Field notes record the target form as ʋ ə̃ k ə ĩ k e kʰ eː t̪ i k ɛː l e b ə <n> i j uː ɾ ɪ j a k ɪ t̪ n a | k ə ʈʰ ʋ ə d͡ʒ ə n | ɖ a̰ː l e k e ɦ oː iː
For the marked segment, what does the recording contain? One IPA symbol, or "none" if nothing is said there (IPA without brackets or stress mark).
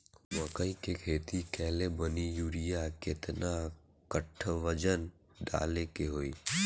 n